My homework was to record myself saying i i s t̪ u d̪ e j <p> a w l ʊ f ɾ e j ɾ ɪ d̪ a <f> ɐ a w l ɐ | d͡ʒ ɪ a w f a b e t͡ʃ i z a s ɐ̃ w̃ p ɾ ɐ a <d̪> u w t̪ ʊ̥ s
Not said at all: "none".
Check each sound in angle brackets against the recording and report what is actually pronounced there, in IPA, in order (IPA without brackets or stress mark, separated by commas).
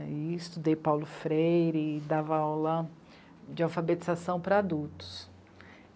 p, v, d̪